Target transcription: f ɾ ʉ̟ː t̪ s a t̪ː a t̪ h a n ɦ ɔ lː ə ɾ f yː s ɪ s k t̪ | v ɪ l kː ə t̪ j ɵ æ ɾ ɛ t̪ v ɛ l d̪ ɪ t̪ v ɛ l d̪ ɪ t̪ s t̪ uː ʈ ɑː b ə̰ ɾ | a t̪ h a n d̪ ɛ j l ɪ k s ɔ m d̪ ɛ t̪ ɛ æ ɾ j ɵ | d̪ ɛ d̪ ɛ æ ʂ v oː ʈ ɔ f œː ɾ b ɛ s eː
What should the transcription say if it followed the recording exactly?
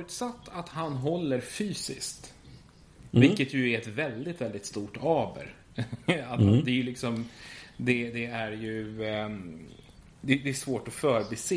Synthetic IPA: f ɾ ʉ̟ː t̪ s a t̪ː a t̪ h a n ɦ ɔ lː ə ɾ f yː s ɪ s k t̪ | v ɪ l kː ə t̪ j ɵ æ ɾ ɛ t̪ v ɛ l d̪ ɪ t̪ v ɛ l d̪ ɪ t̪ s t̪ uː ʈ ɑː b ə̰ ɾ | a t̪ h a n d̪ ɛ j l ɪ k s ɔ m d̪ ɛ d̪ ɛ æ ɾ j ɵ | d̪ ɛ d̪ ɛ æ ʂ v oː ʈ ɔ f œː ɾ b ɛ s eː